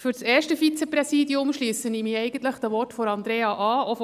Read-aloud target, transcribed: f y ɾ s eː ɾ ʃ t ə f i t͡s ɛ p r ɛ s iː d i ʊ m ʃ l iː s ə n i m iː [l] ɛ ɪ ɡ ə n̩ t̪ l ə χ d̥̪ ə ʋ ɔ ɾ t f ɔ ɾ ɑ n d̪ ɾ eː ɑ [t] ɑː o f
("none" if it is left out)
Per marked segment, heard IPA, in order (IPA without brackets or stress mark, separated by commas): none, ʔ